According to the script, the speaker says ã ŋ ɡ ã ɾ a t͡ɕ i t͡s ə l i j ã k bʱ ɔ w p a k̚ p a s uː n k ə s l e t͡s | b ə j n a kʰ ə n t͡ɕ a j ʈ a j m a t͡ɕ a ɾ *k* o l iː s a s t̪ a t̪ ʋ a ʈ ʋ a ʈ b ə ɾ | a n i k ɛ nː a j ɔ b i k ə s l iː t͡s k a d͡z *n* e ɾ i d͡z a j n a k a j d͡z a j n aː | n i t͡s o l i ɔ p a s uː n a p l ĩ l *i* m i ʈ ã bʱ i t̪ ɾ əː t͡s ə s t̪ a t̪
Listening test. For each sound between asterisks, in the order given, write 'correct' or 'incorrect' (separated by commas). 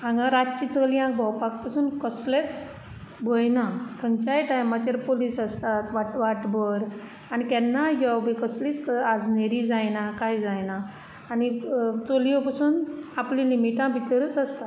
incorrect, correct, correct